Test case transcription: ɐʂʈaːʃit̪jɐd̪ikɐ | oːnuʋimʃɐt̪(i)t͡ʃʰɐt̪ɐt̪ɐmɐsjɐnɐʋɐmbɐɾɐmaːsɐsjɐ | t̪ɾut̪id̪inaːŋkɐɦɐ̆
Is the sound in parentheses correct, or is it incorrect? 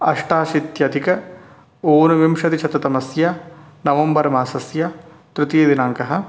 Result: correct